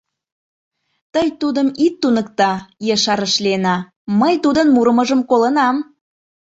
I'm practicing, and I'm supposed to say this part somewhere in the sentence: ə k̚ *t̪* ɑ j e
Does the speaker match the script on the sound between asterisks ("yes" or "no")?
yes